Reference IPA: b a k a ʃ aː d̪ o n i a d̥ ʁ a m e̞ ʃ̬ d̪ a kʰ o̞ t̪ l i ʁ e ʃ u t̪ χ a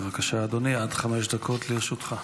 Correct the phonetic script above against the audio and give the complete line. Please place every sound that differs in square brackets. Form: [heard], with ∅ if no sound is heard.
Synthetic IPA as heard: [v] a k a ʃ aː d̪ o n i a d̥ [χ] a m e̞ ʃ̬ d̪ a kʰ o̞ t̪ l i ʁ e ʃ u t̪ χ a